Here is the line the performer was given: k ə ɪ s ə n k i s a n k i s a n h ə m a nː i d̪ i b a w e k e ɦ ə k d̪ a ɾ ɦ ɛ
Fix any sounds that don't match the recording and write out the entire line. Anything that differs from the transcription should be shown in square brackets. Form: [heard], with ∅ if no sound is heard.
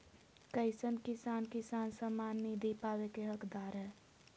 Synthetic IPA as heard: k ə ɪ s ə n k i s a n k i s a n [s] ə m a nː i d̪ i [p] a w e k e ɦ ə k d̪ a ɾ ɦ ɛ